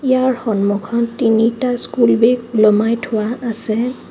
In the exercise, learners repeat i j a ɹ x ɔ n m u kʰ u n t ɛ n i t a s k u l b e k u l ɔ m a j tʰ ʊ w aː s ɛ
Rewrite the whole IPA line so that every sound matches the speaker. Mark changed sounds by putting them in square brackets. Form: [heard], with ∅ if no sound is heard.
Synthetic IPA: i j a ɹ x ɔ n m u kʰ [ɔ] n t [i] n i t a s k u l b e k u l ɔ m a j tʰ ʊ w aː s ɛ